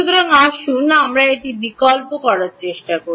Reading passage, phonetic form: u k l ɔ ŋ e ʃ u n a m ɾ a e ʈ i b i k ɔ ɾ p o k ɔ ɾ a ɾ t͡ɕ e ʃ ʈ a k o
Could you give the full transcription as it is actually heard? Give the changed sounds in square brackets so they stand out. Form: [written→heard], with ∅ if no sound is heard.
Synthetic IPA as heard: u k [l→ɾ] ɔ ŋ [e→a] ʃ u n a m ɾ a e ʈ i b i k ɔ [ɾ→l] p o k ɔ ɾ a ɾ t͡ɕ e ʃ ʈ a k o